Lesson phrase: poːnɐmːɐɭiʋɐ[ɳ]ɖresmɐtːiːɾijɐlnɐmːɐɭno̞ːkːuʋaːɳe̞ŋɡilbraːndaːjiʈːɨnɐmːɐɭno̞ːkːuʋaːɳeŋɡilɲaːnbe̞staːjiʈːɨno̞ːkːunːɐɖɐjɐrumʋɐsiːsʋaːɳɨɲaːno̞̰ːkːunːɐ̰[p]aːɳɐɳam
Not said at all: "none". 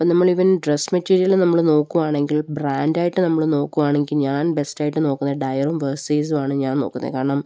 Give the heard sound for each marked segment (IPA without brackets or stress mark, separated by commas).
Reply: n, k